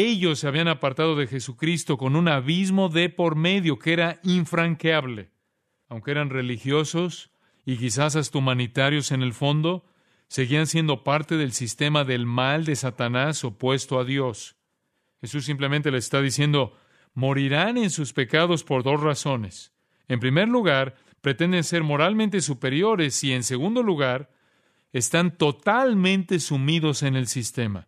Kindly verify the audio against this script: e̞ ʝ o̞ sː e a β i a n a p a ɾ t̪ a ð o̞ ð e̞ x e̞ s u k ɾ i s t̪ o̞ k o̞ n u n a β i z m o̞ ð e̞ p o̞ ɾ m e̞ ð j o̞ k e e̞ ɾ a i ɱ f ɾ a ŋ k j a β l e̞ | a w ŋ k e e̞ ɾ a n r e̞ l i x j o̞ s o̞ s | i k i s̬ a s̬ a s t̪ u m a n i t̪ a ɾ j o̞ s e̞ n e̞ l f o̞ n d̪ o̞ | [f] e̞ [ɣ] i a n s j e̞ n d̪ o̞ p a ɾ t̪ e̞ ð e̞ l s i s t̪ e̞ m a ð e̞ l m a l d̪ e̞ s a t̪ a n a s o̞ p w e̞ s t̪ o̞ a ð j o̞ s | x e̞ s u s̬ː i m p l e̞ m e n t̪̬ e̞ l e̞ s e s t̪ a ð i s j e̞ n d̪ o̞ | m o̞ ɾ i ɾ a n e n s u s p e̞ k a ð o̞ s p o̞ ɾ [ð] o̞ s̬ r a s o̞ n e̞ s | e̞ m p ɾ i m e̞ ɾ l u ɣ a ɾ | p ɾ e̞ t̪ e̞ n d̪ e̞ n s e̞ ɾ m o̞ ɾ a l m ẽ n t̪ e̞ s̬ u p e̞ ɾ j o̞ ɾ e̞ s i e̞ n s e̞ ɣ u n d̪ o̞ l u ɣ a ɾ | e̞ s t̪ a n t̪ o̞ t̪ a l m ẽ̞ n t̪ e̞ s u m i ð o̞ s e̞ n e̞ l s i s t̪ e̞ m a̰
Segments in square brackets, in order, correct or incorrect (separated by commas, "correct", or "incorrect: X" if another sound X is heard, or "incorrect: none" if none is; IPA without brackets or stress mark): incorrect: s, correct, correct